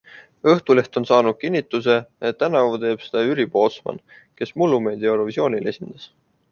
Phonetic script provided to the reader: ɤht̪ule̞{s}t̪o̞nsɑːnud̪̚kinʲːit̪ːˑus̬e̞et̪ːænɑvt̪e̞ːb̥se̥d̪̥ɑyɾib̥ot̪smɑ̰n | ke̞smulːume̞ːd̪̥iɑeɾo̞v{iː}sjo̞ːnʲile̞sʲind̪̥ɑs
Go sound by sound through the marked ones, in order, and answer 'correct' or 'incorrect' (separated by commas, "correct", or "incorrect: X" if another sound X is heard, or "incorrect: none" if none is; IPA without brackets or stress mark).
incorrect: h, incorrect: i